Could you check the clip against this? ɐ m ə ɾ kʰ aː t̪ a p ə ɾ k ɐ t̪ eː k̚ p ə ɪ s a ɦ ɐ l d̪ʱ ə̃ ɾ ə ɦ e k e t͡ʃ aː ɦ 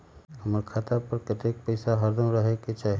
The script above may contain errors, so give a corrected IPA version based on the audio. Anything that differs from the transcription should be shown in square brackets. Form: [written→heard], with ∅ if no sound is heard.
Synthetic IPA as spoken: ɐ m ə ɾ kʰ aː t̪ a p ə ɾ k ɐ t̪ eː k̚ p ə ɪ s a ɦ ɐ [l→ɾ] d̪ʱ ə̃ ɾ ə ɦ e k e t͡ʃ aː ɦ